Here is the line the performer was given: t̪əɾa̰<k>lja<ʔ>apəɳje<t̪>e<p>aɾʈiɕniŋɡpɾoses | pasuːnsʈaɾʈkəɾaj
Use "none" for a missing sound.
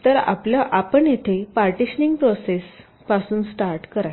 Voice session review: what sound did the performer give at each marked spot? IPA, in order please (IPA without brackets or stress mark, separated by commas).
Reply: p, ʔ, t̪ʰ, p